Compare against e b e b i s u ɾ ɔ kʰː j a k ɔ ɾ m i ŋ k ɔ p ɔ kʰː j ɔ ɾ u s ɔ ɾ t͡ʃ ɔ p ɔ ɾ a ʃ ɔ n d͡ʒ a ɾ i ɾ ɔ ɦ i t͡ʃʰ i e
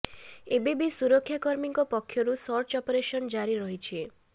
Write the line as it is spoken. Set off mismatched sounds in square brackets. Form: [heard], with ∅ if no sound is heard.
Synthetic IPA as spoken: e b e b i s u ɾ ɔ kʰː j a k ɔ ɾ m i ŋ k ɔ p ɔ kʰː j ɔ ɾ u s ɔ ɾ t͡ʃ ɔ p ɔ ɾ [e] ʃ ɔ n d͡ʒ a ɾ i ɾ ɔ ɦ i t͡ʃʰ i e